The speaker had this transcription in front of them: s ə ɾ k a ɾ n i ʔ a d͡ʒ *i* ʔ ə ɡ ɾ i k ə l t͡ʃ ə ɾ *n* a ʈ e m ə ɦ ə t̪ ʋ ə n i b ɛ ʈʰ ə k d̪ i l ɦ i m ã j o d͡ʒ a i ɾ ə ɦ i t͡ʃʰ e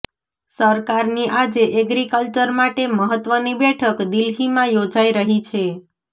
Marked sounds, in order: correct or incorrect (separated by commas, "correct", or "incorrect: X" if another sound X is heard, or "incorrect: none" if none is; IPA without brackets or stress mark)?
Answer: incorrect: e, incorrect: m